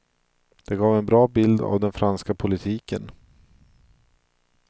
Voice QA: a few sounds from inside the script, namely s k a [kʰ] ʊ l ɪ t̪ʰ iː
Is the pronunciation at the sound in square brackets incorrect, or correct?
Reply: incorrect